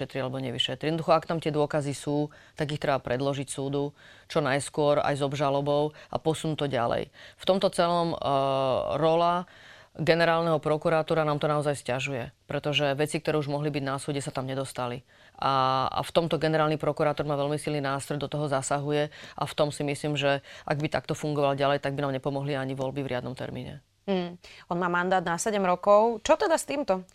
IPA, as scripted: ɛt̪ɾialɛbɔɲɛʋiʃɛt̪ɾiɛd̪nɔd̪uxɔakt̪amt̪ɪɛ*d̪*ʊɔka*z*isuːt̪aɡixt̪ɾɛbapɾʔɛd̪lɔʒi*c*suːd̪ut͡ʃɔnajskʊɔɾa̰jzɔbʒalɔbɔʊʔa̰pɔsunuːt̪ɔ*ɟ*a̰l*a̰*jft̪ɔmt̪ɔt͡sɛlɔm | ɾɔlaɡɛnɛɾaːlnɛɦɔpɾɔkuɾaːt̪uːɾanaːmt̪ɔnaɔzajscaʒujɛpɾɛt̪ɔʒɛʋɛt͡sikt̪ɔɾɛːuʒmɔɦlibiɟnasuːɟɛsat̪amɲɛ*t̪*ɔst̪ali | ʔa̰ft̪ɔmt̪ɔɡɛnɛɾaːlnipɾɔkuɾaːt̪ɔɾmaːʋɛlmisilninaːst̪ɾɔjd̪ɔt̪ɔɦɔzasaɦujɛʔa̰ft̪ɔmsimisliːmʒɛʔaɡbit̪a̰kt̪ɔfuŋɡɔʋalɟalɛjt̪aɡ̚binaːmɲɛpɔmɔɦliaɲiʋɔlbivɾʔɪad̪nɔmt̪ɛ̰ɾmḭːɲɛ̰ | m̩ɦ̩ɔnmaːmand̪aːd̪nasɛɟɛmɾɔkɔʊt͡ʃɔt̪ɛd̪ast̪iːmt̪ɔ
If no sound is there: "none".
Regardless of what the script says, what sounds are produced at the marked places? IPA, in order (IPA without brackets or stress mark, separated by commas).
d̪, z, c, ɟ, ɛ̰, d̪